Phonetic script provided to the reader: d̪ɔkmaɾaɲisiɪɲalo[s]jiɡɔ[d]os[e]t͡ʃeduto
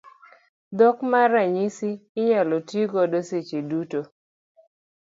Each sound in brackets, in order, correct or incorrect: incorrect, correct, correct

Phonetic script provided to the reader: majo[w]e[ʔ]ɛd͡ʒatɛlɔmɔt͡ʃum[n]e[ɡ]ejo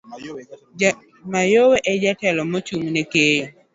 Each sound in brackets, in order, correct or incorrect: correct, correct, correct, incorrect

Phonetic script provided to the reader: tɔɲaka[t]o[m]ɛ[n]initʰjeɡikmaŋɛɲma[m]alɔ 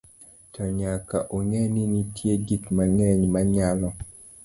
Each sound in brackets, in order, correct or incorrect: incorrect, incorrect, correct, incorrect

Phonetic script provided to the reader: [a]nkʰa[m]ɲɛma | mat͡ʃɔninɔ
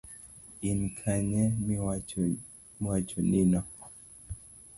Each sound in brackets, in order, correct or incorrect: incorrect, incorrect

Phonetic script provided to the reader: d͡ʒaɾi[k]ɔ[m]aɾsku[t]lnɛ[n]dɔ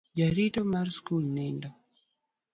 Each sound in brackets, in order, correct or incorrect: incorrect, correct, incorrect, correct

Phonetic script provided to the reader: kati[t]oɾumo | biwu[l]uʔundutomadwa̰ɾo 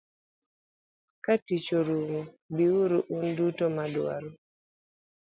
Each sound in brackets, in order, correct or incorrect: incorrect, incorrect

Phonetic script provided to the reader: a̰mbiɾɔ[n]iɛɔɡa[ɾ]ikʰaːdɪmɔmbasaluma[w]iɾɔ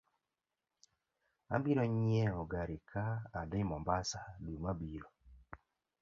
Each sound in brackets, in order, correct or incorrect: incorrect, correct, incorrect

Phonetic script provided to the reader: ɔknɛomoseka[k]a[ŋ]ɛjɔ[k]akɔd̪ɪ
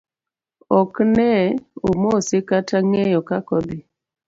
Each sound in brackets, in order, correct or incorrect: incorrect, correct, correct

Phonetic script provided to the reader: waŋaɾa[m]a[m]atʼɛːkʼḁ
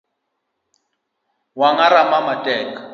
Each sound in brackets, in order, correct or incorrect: correct, correct

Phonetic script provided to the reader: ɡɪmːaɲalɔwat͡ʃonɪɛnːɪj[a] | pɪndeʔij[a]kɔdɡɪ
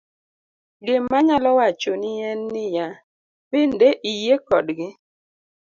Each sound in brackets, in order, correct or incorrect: correct, incorrect

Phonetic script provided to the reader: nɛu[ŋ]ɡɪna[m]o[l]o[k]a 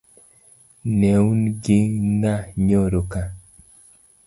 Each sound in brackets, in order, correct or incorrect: incorrect, incorrect, incorrect, correct

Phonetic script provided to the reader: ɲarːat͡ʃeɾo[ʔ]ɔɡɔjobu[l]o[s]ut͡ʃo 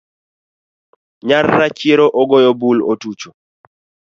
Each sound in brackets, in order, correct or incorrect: correct, correct, incorrect

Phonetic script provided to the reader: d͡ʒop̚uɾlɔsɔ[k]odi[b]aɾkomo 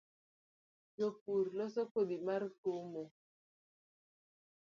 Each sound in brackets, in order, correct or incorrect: correct, incorrect

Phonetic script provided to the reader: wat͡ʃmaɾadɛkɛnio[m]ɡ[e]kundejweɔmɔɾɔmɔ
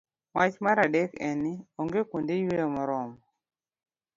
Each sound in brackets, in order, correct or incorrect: incorrect, correct

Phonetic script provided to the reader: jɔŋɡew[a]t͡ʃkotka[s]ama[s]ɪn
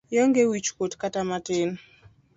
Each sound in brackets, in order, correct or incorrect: incorrect, incorrect, incorrect

